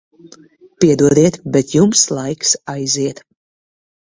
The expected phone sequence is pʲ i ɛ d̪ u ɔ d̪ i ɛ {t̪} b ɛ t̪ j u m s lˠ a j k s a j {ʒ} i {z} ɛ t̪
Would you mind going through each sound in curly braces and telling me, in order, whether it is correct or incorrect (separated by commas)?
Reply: correct, incorrect, incorrect